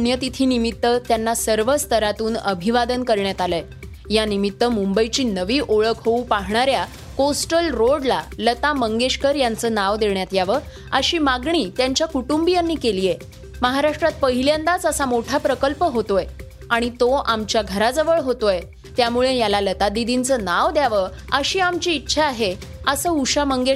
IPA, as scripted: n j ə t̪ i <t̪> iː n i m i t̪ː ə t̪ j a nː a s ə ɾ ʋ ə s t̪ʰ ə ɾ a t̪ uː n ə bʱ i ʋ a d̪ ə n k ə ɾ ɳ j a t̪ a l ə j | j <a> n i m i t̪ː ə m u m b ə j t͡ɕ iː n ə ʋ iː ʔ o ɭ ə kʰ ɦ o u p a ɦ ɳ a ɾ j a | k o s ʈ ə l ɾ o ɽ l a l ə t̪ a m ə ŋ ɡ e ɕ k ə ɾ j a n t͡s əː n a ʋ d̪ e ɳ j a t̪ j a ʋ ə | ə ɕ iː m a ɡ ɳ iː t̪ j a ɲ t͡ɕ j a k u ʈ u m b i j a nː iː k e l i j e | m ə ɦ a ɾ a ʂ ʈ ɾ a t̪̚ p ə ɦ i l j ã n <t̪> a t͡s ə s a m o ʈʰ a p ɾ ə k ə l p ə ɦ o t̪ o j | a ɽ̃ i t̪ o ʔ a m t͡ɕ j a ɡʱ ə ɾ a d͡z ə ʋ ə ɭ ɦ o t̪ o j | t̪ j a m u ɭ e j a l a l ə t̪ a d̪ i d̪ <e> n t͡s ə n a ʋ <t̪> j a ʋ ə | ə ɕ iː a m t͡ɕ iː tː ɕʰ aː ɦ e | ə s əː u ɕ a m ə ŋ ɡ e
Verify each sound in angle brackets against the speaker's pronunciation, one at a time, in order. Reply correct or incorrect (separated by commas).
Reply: incorrect, correct, incorrect, incorrect, incorrect